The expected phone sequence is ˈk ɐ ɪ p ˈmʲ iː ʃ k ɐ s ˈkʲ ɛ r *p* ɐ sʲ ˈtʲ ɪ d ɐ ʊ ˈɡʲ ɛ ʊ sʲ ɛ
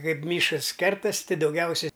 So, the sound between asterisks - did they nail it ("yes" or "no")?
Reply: no